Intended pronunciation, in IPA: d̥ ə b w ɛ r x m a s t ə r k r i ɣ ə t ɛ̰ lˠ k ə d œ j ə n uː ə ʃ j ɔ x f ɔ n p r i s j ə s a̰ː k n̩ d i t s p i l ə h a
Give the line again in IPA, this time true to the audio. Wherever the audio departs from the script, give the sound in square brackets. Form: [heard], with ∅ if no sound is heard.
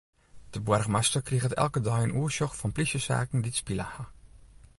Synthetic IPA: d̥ ə b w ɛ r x m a s t ə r k r i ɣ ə t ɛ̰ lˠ k ə d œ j ə n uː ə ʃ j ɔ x f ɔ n p [l] i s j ə s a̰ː k n̩ d i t s p i l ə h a